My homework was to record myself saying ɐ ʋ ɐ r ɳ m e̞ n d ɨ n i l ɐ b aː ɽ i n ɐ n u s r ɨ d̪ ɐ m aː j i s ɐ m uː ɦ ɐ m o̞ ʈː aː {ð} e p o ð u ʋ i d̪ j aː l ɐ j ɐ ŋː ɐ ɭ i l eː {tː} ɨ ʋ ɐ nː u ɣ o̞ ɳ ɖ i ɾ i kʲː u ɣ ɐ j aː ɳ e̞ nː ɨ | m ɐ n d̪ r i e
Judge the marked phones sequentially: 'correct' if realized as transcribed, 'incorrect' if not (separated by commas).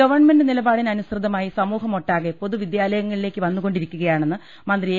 incorrect, incorrect